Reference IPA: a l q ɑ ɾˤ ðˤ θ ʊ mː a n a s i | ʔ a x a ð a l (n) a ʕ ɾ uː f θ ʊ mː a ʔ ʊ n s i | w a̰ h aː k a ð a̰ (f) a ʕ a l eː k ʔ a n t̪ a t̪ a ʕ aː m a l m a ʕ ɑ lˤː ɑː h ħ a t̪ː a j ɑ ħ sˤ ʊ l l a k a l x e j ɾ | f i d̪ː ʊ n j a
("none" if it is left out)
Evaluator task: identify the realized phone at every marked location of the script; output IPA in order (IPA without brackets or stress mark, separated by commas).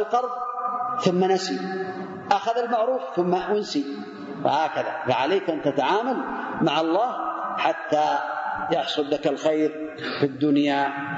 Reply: m, f